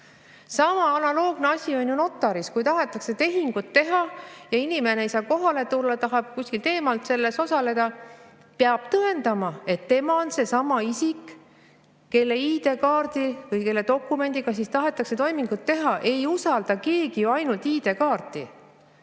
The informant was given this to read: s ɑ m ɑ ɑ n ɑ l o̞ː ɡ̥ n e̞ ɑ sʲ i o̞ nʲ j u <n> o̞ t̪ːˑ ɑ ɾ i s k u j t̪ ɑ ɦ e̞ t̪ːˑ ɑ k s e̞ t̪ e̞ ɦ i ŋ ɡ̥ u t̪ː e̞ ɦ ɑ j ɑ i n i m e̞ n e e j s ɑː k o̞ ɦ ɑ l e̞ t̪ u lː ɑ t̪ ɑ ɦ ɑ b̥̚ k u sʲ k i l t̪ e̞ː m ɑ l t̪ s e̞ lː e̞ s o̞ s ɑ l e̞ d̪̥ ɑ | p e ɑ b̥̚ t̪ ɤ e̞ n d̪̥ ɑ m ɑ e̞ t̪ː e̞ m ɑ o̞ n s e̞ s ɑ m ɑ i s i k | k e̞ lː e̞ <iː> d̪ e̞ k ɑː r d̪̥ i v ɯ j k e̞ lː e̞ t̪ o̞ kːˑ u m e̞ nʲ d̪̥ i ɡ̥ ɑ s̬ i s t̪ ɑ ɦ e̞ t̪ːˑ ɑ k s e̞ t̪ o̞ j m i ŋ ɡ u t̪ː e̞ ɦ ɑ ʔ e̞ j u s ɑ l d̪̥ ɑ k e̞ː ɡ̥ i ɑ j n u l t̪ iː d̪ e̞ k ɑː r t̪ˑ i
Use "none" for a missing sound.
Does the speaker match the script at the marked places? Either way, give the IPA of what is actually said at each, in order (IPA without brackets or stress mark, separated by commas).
n, iː